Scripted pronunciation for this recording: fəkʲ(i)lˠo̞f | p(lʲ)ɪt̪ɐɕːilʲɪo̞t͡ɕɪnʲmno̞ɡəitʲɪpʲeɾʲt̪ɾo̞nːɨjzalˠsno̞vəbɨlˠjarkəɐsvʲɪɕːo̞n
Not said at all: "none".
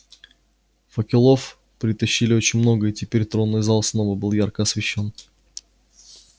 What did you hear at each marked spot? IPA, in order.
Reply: ɪ, ɾʲ

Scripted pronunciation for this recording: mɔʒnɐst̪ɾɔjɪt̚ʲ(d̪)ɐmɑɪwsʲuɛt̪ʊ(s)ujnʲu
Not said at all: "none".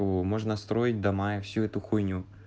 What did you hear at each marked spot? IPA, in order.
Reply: d̪, x

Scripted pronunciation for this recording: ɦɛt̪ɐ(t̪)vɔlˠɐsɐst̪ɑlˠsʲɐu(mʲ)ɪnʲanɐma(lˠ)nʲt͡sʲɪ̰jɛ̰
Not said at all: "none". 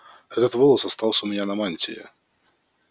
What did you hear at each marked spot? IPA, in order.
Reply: t̪, mʲ, none

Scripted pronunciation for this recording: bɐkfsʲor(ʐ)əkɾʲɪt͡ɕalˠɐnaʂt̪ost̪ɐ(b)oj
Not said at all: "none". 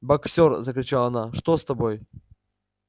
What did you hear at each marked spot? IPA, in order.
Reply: z, b

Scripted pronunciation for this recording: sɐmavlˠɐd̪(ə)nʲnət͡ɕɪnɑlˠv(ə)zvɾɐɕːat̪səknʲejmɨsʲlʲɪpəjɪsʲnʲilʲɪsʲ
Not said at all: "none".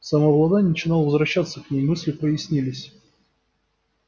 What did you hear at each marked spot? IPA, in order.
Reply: a, ə

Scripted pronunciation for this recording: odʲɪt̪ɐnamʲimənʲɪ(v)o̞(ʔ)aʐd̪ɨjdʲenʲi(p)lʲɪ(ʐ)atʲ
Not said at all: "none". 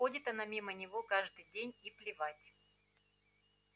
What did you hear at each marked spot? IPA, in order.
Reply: v, k, p, v

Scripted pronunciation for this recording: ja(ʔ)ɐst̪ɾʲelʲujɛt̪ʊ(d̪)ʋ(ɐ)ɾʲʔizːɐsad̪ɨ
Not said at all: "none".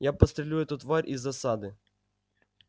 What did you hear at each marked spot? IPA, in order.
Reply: p, t̪, a

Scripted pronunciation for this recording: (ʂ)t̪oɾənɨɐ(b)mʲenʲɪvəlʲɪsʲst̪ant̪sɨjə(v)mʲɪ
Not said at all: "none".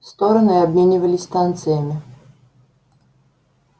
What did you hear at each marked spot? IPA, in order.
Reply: s, b, none

